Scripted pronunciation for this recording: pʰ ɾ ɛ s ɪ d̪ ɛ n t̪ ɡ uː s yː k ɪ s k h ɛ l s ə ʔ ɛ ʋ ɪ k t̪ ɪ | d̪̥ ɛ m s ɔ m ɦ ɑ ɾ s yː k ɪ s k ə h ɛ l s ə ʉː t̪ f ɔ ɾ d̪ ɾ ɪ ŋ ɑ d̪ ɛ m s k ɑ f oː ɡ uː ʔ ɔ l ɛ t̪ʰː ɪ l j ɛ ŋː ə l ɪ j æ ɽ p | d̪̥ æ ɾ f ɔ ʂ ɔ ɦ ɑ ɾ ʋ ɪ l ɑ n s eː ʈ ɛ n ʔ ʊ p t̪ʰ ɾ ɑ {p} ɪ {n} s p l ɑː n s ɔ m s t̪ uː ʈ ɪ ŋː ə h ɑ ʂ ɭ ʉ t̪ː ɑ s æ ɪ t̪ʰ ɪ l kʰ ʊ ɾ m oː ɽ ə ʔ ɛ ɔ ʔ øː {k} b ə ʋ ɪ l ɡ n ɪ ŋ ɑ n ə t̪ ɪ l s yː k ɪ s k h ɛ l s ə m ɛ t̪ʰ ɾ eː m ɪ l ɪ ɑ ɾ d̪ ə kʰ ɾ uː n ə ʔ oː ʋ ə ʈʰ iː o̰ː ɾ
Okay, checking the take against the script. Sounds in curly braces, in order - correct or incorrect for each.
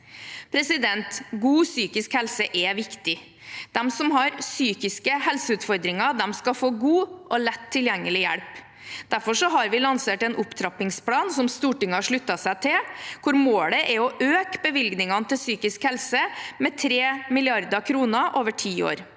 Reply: correct, incorrect, correct

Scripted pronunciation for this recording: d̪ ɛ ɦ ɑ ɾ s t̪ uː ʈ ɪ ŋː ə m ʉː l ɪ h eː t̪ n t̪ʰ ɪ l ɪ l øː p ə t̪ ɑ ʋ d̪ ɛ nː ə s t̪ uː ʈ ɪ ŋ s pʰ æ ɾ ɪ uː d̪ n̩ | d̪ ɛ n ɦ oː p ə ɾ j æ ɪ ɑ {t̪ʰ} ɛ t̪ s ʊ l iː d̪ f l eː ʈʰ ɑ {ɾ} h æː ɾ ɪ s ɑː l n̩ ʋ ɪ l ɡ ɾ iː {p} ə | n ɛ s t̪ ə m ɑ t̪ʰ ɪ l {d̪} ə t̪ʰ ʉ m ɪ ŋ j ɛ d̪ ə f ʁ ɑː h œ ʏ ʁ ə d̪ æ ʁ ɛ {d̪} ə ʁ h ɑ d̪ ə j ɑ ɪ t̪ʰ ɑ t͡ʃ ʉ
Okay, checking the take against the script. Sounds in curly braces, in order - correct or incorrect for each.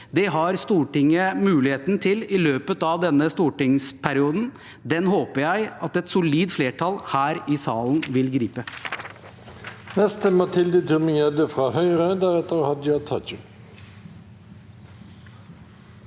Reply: incorrect, incorrect, correct, correct, incorrect

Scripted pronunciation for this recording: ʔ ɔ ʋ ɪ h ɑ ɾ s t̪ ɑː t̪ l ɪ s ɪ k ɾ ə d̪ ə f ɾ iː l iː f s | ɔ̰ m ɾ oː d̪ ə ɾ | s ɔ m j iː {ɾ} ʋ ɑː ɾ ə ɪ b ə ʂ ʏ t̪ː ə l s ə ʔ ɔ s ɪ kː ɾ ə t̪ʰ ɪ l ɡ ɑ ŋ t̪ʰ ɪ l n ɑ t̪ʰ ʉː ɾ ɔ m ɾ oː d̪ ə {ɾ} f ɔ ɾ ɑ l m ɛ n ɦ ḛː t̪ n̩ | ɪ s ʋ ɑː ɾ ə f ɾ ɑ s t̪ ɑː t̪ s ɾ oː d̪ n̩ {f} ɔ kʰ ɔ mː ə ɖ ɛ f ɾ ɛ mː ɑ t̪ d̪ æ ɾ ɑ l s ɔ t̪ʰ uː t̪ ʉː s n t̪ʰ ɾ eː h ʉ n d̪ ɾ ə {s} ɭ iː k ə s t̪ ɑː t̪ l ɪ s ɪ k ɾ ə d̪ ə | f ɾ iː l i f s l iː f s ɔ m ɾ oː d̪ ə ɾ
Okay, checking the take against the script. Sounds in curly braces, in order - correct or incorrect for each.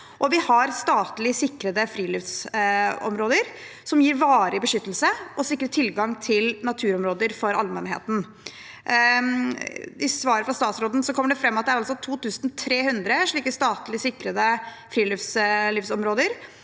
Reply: correct, correct, incorrect, incorrect

